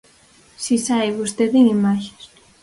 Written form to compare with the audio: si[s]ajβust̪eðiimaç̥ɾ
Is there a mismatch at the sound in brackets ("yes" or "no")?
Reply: no